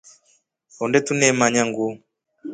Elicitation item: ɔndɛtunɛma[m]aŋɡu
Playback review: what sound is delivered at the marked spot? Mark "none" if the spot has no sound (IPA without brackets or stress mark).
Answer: ɲ